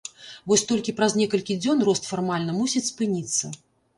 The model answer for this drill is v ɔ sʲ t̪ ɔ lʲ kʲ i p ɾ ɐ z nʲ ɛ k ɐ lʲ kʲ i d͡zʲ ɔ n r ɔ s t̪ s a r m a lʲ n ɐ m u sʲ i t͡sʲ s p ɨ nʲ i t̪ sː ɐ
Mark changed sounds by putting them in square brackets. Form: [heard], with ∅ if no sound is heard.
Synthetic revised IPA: v ɔ sʲ t̪ ɔ lʲ kʲ i p ɾ ɐ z nʲ ɛ k ɐ lʲ kʲ i d͡zʲ ɔ n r ɔ s t̪ [f] a r m a lʲ n ɐ m u sʲ i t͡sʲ s p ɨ nʲ i t̪ sː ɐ